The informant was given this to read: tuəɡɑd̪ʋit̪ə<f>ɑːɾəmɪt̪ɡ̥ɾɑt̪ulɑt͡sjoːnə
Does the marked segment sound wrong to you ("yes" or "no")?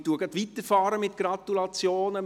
no